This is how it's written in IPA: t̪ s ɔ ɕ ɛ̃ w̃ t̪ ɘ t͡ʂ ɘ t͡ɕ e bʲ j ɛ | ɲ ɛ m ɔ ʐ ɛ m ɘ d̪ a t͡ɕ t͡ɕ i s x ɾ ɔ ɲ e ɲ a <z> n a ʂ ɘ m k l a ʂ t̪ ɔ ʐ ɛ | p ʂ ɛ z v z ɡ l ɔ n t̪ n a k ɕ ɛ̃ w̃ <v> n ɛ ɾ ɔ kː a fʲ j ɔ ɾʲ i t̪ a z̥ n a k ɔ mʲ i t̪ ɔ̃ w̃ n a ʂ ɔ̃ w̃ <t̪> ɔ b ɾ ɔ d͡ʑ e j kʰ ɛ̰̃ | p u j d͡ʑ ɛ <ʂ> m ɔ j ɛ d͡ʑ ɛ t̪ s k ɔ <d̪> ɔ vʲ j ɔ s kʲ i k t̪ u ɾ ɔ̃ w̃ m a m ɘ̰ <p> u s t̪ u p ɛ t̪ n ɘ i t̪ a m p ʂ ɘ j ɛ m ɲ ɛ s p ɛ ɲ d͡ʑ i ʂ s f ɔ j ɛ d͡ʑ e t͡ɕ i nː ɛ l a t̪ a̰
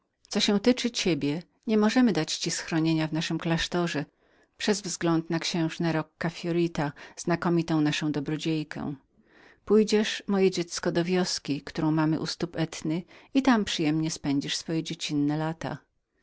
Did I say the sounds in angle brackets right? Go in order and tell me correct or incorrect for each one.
incorrect: v, incorrect: ʐ, incorrect: d̪, correct, correct, incorrect: ʔ

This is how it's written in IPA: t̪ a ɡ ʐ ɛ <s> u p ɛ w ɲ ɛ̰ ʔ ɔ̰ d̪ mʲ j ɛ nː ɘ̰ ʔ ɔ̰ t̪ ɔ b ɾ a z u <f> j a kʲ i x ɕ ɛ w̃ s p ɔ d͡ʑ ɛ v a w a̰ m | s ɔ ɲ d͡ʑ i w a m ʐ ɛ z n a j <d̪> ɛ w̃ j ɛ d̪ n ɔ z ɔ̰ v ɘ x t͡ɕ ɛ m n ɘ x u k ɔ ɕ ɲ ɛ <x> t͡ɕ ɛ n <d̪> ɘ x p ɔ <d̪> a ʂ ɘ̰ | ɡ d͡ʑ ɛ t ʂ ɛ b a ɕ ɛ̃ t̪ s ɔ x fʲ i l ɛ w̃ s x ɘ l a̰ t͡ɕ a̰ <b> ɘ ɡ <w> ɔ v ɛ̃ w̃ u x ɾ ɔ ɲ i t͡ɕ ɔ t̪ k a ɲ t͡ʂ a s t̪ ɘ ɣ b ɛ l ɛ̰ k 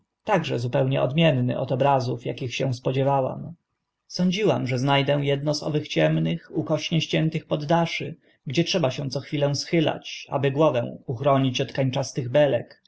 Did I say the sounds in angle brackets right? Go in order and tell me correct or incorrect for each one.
incorrect: z, correct, correct, incorrect: ɕ, incorrect: t̪, incorrect: d̪ː, correct, correct

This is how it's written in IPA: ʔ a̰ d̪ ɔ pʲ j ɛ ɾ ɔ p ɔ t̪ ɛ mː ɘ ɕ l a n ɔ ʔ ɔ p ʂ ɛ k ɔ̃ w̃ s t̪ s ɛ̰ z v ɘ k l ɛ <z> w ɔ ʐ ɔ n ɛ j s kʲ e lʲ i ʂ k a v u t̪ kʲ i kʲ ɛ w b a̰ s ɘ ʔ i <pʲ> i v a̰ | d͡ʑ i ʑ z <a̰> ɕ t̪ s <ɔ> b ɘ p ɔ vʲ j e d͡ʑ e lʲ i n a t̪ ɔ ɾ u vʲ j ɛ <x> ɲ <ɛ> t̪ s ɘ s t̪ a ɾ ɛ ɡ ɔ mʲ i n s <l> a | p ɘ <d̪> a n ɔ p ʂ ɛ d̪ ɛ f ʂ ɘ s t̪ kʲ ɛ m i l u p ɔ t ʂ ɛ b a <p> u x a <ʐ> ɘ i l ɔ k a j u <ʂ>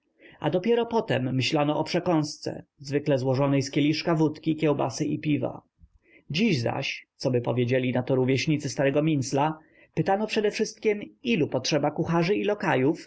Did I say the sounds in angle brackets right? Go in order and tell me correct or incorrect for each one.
correct, correct, correct, correct, incorrect: ɕ, incorrect: i, correct, incorrect: t̪, incorrect: k, correct, incorrect: f

